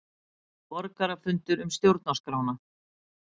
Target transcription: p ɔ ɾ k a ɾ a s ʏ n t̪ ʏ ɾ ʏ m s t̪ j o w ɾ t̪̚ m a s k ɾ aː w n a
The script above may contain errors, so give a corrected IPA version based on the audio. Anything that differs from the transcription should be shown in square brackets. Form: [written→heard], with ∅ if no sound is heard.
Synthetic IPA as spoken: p ɔ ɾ k a ɾ a [s→f] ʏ n t̪ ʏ ɾ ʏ m s t̪ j o w ɾ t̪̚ [m→n] a s k ɾ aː w n a

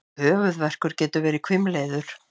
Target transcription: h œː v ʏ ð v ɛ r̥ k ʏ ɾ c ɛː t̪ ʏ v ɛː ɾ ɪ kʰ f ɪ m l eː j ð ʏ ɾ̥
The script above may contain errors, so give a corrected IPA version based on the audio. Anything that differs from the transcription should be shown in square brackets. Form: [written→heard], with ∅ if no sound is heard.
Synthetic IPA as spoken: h œː v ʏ ð v ɛ r̥ k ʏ ɾ c ɛː t̪ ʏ v ɛː ɾ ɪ kʰ [f→v] ɪ m l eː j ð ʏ ɾ̥

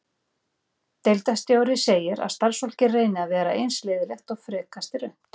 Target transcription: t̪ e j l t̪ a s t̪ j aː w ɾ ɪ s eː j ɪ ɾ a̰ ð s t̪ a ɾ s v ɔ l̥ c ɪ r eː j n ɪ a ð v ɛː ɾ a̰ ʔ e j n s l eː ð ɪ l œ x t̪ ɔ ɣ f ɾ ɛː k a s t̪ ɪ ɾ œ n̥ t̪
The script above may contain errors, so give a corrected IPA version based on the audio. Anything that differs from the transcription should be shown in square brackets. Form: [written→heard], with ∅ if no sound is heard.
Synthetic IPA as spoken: t̪ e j l t̪ a s t̪ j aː w ɾ ɪ s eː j ɪ ɾ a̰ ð s t̪ a ɾ s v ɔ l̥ c ɪ r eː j n ɪ a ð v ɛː ɾ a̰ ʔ e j n s l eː ð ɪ l [œ→ɛ] x t̪ ɔ ɣ f ɾ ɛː k a s t̪ ɪ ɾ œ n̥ t̪

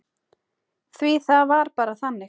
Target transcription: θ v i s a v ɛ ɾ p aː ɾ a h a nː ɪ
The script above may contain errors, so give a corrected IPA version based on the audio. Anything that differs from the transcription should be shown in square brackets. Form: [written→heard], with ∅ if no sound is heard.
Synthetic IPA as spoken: θ v i [s→θ] a v [ɛ→a] ɾ p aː ɾ a [h→θ] a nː ɪ

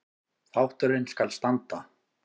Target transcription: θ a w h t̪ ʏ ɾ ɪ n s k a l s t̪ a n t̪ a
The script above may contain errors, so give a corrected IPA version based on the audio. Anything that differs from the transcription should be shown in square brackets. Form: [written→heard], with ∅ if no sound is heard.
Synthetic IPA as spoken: θ a w h t̪ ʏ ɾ ɪ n s k a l s t̪ a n t̪ a

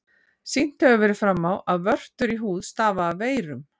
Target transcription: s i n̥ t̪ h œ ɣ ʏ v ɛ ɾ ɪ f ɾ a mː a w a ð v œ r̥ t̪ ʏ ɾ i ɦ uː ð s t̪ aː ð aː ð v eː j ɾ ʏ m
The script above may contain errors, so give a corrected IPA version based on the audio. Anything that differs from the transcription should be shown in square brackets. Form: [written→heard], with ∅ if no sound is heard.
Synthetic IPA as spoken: s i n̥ t̪ h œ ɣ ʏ v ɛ ɾ ɪ f ɾ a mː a w a ð v œ r̥ t̪ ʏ ɾ i ɦ uː ð s t̪ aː [ð→v] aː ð v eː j ɾ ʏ m

